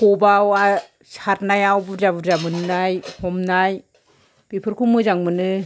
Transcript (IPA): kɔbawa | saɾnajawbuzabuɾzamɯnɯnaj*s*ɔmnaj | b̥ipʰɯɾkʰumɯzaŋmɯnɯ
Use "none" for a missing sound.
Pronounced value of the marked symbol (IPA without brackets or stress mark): h